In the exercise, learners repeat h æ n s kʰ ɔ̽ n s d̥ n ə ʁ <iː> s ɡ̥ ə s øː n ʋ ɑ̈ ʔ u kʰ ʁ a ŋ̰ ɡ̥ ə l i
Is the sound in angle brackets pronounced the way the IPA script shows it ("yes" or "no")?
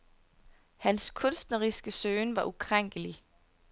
no